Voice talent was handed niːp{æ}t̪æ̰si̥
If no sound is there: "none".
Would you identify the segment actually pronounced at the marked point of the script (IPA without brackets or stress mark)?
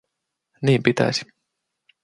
i